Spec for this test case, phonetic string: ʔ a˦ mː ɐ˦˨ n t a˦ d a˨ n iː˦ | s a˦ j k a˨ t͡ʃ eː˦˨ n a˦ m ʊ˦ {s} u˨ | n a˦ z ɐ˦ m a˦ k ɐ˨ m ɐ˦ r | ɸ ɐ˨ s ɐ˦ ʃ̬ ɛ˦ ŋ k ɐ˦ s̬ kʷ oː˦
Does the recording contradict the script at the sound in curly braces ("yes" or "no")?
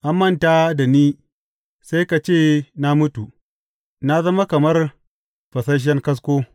yes